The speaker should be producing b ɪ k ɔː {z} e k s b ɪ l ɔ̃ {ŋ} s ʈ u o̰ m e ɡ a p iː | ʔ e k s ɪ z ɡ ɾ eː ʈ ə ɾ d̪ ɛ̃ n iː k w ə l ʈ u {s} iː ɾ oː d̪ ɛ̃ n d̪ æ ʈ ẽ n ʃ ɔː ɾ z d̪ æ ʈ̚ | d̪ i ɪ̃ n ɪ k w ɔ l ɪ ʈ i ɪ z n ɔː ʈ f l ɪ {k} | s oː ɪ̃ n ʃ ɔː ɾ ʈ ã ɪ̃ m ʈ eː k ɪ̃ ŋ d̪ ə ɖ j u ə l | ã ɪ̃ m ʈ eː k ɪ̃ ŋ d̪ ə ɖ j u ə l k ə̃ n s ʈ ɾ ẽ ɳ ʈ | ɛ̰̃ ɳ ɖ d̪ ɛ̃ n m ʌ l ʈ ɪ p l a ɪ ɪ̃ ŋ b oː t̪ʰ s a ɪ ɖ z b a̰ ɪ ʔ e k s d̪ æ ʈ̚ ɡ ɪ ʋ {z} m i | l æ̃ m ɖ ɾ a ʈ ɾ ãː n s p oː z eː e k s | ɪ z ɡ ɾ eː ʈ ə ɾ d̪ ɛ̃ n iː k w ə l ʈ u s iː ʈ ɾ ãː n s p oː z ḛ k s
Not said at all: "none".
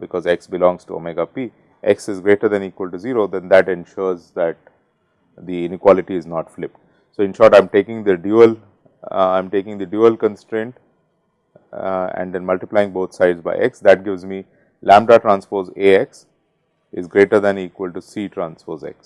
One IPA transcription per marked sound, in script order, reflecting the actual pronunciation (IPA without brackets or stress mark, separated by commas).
z, ŋ, z, p, z